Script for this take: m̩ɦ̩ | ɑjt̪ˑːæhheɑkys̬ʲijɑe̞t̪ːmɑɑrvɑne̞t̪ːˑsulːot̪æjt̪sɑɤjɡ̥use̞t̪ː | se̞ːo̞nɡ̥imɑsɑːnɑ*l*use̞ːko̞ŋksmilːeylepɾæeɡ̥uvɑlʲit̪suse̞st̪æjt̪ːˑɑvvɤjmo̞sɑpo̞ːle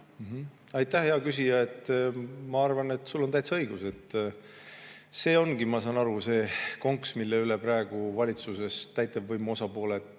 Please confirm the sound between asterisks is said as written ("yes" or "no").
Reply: no